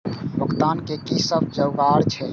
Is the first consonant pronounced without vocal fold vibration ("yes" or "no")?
no